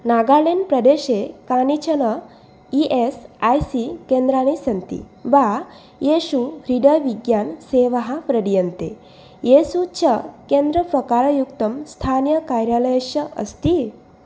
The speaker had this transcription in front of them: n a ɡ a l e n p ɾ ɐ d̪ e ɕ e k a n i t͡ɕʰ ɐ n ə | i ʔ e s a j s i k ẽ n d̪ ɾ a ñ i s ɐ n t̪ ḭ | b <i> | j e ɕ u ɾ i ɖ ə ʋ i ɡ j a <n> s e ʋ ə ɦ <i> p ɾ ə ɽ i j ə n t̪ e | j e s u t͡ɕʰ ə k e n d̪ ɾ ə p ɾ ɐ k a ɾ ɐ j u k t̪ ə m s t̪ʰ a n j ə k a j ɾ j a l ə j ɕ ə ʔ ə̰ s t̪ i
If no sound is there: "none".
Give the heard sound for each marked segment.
a, n, a

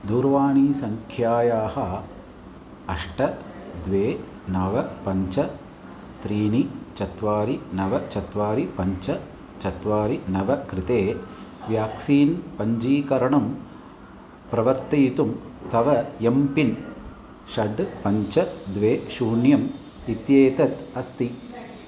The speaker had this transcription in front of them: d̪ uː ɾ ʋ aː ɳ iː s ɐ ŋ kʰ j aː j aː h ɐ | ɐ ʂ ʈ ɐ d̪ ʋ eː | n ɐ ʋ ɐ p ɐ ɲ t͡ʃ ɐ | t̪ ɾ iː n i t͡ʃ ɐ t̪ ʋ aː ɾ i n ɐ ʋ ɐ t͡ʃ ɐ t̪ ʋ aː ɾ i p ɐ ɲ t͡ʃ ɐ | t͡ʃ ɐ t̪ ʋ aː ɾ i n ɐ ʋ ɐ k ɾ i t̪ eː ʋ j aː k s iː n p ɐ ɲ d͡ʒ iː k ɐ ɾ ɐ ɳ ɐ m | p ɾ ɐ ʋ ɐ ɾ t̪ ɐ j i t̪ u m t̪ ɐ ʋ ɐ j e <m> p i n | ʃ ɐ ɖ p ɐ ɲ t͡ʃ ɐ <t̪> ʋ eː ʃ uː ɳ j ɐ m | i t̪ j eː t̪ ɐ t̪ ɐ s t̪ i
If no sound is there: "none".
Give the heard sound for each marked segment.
m, d̪

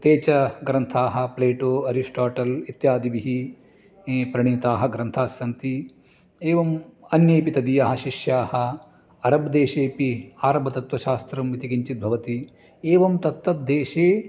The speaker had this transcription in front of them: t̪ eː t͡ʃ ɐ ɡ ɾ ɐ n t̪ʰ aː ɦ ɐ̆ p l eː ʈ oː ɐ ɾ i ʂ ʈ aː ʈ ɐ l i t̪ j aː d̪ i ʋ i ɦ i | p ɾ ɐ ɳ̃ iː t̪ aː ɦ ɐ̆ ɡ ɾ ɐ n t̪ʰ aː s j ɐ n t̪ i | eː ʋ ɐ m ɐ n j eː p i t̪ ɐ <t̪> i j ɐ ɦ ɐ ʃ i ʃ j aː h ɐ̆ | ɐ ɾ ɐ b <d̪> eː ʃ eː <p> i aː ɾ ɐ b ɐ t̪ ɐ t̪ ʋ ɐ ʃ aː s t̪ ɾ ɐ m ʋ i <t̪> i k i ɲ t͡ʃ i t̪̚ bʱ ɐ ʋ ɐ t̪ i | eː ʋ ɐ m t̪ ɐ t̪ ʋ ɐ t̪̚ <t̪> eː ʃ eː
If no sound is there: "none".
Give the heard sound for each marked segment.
d̪, d̪, p, t̪, d̪

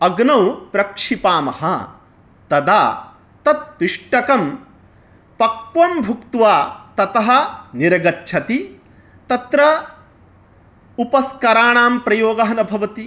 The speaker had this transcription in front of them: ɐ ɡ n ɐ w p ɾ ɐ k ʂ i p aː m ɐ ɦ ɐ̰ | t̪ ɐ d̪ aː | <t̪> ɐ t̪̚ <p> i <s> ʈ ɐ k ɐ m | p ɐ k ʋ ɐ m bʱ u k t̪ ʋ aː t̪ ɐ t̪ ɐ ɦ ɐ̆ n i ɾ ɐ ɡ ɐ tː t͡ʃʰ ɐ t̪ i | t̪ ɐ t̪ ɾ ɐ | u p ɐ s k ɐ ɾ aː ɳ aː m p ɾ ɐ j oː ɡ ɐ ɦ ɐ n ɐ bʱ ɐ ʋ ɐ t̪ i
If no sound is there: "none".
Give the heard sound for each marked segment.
t̪, p, ʂ

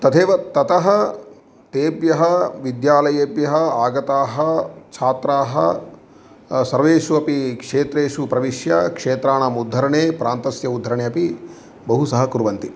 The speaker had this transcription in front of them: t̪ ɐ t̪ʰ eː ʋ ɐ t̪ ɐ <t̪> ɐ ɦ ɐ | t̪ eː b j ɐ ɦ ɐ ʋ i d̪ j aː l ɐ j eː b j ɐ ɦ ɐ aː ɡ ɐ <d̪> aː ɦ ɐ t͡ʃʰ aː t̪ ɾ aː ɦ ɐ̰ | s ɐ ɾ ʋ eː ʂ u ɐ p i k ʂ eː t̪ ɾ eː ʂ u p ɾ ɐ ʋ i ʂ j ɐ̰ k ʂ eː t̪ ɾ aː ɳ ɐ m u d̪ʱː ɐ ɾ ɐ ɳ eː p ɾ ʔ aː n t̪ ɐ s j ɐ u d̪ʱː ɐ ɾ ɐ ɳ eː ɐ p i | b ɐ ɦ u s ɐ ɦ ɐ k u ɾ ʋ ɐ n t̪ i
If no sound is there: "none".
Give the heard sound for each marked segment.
t̪, t̪

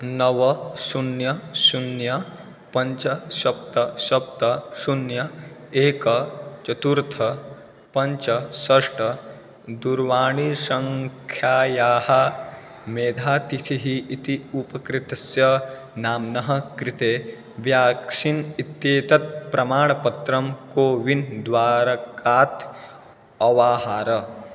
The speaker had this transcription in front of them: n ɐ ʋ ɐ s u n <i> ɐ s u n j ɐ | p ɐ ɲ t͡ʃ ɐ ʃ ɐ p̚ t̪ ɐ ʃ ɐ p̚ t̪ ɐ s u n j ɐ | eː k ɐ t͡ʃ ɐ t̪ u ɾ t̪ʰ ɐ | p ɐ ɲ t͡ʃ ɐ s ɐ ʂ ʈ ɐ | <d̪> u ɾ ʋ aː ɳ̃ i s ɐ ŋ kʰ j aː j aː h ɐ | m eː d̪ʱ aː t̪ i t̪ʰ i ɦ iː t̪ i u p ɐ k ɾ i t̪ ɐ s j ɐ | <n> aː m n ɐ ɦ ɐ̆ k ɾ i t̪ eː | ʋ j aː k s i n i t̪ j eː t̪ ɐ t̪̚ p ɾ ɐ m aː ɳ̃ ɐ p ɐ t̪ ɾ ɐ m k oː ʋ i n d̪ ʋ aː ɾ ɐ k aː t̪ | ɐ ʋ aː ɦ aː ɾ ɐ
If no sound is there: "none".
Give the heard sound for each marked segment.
j, d̪, n

